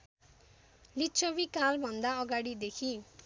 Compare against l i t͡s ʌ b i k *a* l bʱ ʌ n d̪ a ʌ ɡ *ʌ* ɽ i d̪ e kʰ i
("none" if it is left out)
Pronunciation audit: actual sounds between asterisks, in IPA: a, a

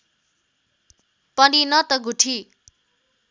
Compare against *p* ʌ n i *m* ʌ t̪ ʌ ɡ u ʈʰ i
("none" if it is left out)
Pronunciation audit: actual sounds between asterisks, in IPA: p, n

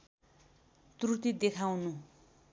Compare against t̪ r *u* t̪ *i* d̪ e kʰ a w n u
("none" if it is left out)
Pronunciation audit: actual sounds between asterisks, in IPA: u, i

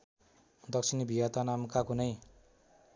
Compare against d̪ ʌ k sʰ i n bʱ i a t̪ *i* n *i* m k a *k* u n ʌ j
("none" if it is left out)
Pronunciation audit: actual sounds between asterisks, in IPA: a, a, k

